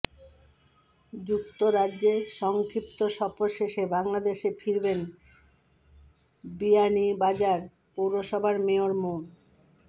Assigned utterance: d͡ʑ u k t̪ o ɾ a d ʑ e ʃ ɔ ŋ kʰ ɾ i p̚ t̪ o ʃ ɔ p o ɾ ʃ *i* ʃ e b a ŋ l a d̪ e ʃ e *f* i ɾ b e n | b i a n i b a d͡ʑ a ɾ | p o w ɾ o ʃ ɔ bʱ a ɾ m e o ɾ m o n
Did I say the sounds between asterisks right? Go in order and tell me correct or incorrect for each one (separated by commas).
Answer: incorrect, correct